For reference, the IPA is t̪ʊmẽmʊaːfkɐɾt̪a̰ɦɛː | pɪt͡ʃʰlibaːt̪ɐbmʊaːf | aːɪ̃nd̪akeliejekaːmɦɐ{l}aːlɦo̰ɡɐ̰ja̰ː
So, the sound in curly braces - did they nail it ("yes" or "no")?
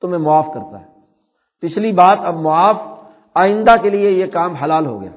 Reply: yes